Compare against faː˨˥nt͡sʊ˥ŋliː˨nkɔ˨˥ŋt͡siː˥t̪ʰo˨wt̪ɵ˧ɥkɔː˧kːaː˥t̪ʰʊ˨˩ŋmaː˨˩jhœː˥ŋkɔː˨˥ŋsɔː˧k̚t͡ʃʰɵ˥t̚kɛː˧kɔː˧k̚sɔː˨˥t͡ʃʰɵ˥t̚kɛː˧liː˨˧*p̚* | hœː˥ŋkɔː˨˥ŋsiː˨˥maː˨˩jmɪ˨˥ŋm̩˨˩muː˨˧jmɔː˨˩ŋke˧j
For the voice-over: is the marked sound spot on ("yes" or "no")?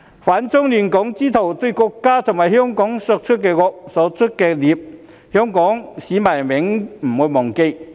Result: yes